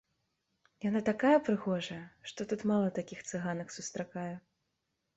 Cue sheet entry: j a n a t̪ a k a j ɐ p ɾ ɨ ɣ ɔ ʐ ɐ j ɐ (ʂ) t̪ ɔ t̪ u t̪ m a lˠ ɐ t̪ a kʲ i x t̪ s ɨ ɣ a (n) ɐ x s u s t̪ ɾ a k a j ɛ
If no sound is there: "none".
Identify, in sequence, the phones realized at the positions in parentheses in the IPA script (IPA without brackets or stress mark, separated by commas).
ʂ, n